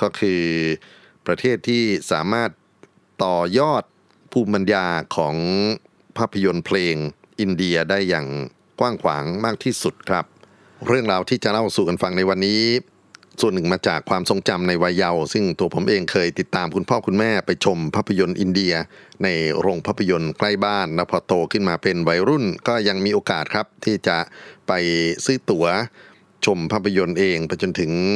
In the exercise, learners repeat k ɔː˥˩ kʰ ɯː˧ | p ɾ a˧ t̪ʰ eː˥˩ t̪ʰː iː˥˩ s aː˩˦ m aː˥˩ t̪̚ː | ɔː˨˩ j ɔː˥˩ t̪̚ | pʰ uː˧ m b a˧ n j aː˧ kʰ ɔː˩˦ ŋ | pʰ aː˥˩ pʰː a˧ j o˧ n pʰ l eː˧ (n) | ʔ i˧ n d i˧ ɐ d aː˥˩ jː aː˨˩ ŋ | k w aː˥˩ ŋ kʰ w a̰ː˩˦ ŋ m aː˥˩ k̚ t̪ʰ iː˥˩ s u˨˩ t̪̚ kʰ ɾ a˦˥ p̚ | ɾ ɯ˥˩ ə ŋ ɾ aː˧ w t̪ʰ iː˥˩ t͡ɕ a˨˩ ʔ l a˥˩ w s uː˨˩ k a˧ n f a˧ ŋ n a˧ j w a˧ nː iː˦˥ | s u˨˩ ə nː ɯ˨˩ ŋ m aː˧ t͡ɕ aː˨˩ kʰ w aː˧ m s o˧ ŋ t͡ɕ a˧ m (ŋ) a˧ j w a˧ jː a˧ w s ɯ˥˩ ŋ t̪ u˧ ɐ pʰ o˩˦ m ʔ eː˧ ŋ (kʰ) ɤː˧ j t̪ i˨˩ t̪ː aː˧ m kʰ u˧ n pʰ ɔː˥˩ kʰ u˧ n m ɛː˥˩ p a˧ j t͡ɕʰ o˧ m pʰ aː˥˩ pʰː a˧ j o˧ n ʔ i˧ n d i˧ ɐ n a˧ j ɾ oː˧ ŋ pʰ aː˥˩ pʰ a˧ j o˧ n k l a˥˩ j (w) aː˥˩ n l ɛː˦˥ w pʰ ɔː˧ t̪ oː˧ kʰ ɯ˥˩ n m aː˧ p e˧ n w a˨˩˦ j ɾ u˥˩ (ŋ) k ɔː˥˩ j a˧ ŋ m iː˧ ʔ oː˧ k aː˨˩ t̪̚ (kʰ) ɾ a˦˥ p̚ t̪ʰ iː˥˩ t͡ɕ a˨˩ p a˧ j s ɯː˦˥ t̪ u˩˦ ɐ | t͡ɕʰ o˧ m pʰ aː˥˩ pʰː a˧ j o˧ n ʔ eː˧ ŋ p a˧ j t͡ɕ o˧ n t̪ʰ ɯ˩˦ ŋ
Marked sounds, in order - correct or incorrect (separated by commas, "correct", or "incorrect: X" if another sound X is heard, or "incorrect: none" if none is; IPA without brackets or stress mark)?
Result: incorrect: ŋ, incorrect: n, correct, incorrect: b, incorrect: n, correct